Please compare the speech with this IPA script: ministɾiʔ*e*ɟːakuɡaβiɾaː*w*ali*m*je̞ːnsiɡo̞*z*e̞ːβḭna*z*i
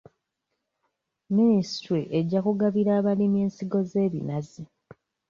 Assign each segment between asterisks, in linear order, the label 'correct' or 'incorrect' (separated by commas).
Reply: correct, incorrect, correct, correct, correct